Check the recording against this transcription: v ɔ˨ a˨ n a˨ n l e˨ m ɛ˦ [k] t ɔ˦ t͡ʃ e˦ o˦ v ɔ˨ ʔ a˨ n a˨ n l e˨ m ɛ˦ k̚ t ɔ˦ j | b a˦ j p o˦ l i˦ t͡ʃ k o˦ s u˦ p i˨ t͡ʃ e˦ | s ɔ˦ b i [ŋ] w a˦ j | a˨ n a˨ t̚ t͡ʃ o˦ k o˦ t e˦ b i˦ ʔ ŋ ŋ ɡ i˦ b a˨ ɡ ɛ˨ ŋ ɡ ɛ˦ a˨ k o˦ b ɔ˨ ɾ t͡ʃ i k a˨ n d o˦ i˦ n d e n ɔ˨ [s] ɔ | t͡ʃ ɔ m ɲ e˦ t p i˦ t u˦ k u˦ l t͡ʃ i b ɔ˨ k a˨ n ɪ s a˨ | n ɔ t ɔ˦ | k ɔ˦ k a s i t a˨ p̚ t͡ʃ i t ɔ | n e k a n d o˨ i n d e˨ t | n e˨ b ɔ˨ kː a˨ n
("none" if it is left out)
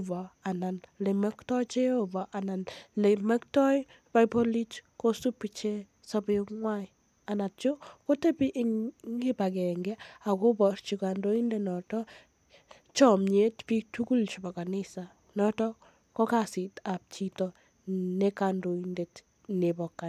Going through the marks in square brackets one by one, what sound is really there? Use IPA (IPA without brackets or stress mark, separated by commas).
k, ŋ, t